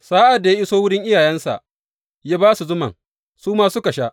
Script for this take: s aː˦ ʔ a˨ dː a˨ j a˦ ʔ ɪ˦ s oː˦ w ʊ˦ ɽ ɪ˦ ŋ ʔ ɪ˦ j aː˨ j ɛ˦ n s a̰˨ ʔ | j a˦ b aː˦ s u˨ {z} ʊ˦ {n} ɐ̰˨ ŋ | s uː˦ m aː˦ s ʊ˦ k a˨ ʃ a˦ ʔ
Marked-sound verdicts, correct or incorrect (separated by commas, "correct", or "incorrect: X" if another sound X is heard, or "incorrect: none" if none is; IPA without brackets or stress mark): correct, incorrect: m